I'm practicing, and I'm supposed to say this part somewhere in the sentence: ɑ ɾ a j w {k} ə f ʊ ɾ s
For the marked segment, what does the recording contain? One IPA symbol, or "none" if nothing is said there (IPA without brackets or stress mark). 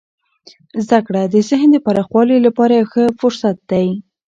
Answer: x